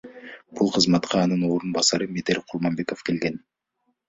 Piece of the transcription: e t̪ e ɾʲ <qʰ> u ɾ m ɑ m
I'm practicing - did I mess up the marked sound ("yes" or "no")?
no